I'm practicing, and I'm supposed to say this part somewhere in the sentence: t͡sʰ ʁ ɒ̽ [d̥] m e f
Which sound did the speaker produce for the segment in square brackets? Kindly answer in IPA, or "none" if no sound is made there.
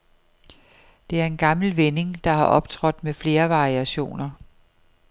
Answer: d̥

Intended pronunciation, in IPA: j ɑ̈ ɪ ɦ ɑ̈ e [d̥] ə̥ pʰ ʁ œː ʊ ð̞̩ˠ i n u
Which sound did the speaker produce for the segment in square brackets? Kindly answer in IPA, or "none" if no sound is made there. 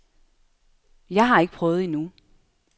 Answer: ɡ̥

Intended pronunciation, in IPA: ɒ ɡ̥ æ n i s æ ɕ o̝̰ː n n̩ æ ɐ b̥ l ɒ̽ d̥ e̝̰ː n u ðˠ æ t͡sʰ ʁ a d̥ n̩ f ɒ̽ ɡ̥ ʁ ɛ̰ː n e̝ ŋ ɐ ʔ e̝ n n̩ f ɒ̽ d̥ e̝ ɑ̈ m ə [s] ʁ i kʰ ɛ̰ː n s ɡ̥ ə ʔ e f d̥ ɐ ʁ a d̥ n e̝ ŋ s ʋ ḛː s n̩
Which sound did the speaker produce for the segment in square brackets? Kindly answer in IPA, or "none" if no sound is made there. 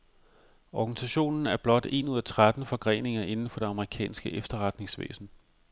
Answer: none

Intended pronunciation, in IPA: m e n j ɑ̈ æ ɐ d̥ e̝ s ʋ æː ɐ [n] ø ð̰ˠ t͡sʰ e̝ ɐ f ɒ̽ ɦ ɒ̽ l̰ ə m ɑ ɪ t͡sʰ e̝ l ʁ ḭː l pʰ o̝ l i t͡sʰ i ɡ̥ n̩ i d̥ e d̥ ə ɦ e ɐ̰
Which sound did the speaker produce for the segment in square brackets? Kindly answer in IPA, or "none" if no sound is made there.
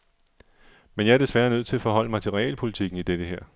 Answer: n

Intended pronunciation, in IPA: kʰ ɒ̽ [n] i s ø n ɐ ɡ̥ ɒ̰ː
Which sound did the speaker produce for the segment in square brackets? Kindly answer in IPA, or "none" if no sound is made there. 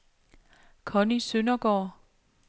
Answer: n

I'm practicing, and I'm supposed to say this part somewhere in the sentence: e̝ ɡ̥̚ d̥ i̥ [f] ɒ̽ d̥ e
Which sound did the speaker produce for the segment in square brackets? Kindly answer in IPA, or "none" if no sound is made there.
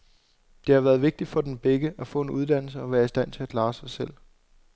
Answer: f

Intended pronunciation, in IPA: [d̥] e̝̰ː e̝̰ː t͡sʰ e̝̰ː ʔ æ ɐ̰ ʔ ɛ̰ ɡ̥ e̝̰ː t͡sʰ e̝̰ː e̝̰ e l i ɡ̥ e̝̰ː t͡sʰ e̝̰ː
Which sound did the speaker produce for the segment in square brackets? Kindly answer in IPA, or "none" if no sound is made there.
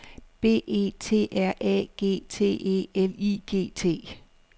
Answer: b̥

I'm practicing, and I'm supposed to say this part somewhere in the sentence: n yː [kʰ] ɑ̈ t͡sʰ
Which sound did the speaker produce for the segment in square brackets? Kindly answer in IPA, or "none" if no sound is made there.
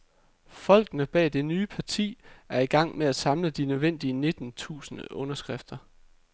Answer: pʰ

